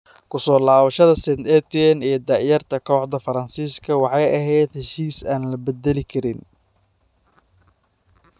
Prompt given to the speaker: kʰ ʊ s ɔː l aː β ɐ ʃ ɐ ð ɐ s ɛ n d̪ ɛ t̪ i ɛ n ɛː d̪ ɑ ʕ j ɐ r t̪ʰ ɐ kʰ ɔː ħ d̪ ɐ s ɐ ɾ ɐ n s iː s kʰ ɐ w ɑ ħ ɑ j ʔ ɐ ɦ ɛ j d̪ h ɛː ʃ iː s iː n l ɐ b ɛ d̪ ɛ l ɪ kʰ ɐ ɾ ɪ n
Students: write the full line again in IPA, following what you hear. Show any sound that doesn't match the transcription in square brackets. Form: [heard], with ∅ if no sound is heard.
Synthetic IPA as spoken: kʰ ʊ s ɔː l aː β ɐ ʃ ɐ ð ɐ s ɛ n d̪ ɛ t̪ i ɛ n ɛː d̪ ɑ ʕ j ɐ r t̪ʰ ɐ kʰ ɔː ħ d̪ ɐ [f] ɐ ɾ ɐ n s iː s kʰ ɐ w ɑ ħ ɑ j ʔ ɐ ɦ ɛ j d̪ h [ɛ] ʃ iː s [aː] n l ɐ b ɛ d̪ ɛ l ɪ kʰ ɐ ɾ ɪ n